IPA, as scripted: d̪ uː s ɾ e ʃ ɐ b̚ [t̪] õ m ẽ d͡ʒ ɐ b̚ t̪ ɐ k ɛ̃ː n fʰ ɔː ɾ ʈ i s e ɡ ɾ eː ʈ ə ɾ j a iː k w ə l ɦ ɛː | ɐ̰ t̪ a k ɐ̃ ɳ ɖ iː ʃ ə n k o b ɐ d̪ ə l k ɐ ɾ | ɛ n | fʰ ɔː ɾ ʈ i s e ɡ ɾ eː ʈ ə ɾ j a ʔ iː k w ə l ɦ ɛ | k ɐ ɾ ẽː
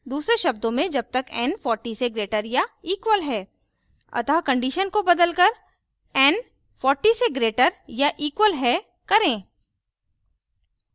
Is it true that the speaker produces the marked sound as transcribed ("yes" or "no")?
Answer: no